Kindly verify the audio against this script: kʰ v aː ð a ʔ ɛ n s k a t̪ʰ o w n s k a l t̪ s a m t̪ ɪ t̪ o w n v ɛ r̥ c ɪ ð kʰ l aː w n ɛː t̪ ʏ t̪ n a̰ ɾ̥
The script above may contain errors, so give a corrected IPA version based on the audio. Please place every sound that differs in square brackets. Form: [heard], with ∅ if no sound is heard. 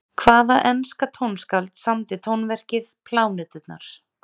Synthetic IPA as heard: kʰ v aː ð a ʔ ɛ n s k a t̪ʰ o w n s k a l t̪ s a m t̪ ɪ [t̪ʰ] o w n v ɛ r̥ c ɪ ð [pʰ] l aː w n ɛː t̪ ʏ t̪ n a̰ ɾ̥